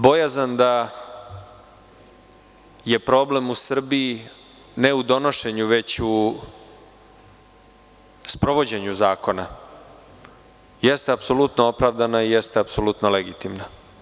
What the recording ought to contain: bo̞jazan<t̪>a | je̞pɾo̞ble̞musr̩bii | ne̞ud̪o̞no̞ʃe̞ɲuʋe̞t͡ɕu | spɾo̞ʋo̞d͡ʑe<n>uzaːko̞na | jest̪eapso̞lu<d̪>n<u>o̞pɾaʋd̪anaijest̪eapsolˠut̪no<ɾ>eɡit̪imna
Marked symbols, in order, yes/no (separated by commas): no, no, no, no, no